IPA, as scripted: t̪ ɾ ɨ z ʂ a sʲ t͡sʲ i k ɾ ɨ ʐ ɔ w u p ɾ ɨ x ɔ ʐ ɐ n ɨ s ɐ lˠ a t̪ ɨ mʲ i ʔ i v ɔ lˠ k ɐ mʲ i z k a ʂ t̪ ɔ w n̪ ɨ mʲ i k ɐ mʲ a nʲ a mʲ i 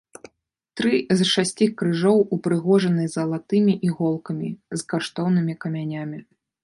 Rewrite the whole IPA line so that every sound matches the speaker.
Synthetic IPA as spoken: t̪ ɾ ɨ z ʂ a sʲ t͡sʲ i k ɾ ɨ ʐ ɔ w u p ɾ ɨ ɣ ɔ ʐ ɐ n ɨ z ɐ lˠ a t̪ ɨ mʲ i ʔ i ɣ ɔ lˠ k ɐ mʲ i z k a ʂ t̪ ɔ w n̪ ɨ mʲ i k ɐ mʲ a nʲ a mʲ i